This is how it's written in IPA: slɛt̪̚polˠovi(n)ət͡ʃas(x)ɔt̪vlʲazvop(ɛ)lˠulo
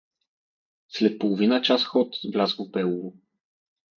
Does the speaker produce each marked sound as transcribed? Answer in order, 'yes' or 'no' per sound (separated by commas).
yes, yes, yes